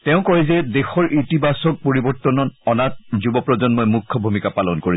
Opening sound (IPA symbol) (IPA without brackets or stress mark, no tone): t